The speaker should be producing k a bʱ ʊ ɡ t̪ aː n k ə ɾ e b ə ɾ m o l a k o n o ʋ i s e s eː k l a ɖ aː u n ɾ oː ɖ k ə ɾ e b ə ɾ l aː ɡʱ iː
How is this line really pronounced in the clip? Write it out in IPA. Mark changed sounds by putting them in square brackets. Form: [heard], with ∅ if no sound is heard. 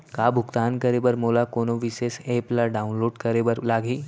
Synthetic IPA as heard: k a bʱ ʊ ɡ t̪ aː n k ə ɾ e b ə ɾ m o l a k o n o ʋ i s e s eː [p] l a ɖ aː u n [l] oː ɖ k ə ɾ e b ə ɾ l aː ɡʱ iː